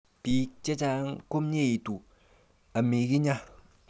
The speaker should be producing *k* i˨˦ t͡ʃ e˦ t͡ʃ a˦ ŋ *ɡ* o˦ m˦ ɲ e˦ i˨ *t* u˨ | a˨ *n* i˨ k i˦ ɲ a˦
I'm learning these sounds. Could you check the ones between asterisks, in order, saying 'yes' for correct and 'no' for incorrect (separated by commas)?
no, no, yes, no